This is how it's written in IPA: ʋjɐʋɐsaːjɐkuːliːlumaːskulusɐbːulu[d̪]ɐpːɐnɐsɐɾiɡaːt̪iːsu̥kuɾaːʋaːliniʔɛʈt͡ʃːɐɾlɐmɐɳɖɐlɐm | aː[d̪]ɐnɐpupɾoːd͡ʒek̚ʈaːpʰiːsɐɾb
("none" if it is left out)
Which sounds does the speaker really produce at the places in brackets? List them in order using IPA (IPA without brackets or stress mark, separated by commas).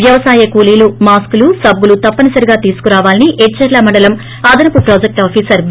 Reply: t̪, d̪